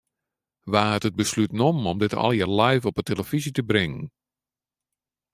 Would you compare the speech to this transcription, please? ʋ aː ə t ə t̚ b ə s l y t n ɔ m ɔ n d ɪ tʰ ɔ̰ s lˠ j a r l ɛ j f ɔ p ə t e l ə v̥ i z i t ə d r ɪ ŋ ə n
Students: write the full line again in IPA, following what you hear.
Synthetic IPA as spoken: ʋ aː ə t ə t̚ b ə s l y t n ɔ m ɔ m d ɪ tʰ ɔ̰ lˠ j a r l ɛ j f ɔ p ə t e l ə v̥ i z i t ə b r ɪ ŋ ə n